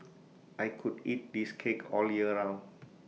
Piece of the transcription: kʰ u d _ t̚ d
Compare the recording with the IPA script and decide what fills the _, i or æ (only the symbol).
i